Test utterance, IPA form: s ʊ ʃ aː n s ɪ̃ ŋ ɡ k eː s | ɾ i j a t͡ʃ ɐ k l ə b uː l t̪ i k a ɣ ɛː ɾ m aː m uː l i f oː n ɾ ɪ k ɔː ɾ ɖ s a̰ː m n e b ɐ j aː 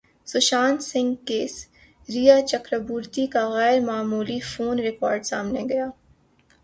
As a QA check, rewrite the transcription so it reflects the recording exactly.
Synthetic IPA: s ʊ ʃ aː n s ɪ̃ ŋ ɡ k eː s | ɾ i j a t͡ʃ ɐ k ɾ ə b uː ɾ t̪ i k a ɣ ɛː ɾ m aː m uː l i f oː n ɾ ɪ k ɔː ɾ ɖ s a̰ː m n e ɡ ɐ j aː